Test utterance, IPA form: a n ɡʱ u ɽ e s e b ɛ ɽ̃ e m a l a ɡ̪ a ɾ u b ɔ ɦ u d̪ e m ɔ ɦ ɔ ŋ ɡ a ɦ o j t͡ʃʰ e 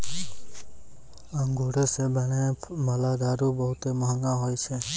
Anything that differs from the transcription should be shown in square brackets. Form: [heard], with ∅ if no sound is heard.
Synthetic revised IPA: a [ŋ] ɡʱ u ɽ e s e b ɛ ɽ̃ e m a l a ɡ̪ a ɾ u b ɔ ɦ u [t̪] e m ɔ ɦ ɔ ŋ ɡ a ɦ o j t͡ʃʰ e

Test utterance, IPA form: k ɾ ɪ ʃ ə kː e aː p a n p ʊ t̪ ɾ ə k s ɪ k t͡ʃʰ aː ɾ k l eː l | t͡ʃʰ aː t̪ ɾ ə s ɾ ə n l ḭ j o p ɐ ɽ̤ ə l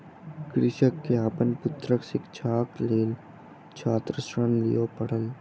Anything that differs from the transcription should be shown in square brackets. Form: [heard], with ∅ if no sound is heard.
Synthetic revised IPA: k ɾ ɪ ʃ ə kː e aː p [ə] n p ʊ t̪ ɾ ə k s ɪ k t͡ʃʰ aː [∅] k l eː l | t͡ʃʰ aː t̪ ɾ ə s ɾ ə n l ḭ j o p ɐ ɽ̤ ə l

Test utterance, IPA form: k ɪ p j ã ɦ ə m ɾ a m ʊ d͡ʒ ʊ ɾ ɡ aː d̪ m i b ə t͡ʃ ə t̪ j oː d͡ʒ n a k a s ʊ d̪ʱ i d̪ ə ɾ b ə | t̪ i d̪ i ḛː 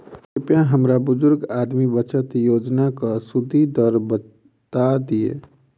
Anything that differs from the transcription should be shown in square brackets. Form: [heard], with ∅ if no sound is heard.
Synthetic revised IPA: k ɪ p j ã ɦ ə m ɾ a [b] ʊ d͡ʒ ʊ ɾ ɡ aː d̪ m i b ə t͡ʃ ə t̪ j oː d͡ʒ n a k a s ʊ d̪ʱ i d̪ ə ɾ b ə | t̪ [a] d̪ i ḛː

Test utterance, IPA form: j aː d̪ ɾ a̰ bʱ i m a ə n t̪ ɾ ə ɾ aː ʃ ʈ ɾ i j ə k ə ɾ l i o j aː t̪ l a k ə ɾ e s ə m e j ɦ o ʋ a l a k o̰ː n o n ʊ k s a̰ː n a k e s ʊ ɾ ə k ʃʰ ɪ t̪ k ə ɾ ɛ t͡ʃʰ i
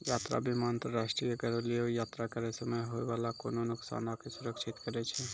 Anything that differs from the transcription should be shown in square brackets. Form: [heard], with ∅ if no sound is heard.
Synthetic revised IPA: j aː [t̪] ɾ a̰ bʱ i m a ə n t̪ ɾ ə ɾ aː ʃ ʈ ɾ i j ə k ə ɾ l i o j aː t̪ [ɾ] a k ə ɾ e s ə m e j ɦ o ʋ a l a k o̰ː n o n ʊ k s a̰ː n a k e s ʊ ɾ ə k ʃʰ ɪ t̪ k ə ɾ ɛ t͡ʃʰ [ɛ]

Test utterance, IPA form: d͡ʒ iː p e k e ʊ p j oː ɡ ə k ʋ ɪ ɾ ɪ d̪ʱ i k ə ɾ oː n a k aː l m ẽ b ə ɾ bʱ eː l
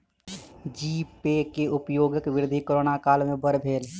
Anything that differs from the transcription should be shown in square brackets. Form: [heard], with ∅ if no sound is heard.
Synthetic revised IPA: d͡ʒ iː p e k e ʊ p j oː ɡ ə k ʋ ɪ ɾ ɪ d̪ʱ i k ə ɾ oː n a k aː l m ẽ b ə ɾ bʱ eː l

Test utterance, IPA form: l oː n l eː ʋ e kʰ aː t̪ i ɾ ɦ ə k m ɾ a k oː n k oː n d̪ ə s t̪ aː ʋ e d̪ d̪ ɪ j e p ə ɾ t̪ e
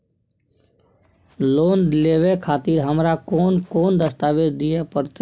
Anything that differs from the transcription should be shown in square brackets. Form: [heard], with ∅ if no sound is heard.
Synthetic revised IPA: l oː n l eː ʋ e kʰ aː t̪ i ɾ ɦ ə [∅] m ɾ a k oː n k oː n d̪ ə s t̪ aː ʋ e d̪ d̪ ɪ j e p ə ɾ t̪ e

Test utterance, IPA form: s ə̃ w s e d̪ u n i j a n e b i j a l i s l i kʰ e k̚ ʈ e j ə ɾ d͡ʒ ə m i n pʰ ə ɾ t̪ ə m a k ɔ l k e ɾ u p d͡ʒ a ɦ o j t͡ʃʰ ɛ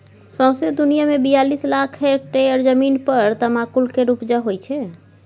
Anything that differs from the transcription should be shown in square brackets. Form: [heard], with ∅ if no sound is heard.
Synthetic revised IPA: s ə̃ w s e d̪ u n i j a [m] e b i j a l i s l [a] kʰ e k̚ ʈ e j ə ɾ d͡ʒ ə m i n [p] ə ɾ t̪ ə m a k [u] l k e ɾ u p d͡ʒ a ɦ o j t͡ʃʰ ɛ

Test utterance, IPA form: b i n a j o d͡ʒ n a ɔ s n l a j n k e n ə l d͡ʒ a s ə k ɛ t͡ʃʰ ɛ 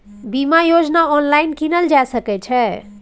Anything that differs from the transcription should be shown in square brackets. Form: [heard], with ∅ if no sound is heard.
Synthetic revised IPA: b i [m] a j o d͡ʒ n a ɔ [∅] n l a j n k [i] n ə l d͡ʒ a s ə k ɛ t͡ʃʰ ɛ

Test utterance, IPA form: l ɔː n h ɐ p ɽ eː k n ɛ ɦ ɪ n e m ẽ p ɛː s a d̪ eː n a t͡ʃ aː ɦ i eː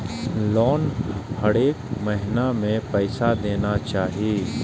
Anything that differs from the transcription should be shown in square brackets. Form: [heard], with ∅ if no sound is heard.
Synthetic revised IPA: l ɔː n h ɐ [∅] ɽ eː k [m] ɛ ɦ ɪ n [a] m ẽ p ɛː s a d̪ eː n a t͡ʃ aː ɦ i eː

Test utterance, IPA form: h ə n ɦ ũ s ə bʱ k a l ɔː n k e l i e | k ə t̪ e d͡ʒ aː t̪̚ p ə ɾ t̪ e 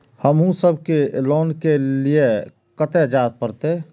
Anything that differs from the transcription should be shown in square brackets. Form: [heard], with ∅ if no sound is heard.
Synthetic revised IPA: h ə [m] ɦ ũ s ə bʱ k [e] l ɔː n k e l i e | k ə t̪ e d͡ʒ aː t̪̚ p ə ɾ t̪ e

